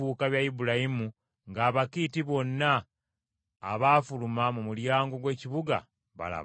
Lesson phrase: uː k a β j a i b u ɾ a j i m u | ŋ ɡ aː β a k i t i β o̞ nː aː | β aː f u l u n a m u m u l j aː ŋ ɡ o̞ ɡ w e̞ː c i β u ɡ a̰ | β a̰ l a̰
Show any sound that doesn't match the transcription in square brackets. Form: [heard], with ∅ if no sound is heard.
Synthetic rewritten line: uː k a β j a i b u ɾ a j i m u | ŋ ɡ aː β a k i t i β o̞ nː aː | β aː f u l u [m] a m u m u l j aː ŋ ɡ o̞ ɡ w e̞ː c i β u ɡ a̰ | β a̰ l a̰